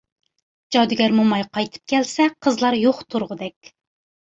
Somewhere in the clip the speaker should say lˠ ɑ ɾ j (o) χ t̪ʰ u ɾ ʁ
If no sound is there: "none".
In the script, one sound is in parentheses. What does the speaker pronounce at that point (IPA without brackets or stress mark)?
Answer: o